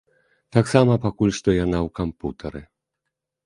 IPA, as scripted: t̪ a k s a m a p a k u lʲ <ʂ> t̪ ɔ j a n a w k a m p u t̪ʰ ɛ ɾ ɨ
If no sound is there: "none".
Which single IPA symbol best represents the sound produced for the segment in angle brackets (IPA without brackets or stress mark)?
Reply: s